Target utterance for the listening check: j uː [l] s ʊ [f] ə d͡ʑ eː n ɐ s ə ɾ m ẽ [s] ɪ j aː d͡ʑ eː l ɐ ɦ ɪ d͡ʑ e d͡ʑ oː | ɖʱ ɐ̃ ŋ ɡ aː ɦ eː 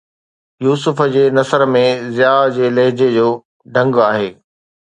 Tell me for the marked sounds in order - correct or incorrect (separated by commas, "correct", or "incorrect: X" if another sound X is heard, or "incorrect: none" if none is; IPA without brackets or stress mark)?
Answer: incorrect: none, correct, incorrect: z